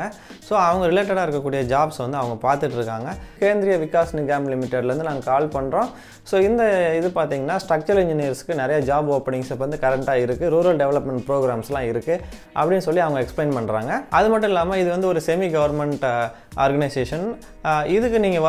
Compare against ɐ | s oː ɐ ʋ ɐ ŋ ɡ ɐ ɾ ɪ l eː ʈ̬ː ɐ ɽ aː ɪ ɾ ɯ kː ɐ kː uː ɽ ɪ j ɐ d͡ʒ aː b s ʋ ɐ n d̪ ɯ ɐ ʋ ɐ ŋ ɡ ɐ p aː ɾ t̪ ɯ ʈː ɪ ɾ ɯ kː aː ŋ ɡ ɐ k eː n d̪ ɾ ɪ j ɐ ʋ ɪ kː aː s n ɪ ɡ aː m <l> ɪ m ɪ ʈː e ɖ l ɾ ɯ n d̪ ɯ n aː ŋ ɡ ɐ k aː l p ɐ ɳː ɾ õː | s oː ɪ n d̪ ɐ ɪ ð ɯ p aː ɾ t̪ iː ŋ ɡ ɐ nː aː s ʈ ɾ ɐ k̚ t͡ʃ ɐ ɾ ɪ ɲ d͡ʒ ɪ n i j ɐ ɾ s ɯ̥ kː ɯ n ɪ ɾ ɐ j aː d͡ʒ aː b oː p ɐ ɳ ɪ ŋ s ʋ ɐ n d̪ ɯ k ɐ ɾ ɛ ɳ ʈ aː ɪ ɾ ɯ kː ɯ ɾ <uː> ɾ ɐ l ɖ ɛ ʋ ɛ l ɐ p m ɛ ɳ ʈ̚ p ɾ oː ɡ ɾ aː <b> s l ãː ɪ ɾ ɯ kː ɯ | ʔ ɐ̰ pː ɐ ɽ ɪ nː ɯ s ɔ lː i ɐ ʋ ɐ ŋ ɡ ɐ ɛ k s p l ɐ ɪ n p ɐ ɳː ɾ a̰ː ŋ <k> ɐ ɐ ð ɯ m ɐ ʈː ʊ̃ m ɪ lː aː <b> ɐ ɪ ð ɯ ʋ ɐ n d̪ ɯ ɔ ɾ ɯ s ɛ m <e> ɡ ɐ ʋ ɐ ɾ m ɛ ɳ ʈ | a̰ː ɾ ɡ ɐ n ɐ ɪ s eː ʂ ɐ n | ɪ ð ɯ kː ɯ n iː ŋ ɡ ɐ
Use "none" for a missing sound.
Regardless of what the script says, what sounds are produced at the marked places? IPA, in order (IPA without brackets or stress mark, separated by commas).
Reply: l, uː, m, ɡ, m, i